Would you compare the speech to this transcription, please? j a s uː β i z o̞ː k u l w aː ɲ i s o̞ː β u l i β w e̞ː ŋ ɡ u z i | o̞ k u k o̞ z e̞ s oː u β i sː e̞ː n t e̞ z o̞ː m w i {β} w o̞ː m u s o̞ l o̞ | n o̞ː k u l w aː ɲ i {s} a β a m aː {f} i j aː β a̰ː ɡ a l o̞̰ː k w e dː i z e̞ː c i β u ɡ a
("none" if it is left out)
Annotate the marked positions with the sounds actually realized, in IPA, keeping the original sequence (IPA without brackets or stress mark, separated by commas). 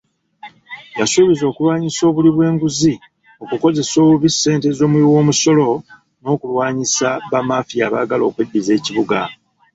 none, s, f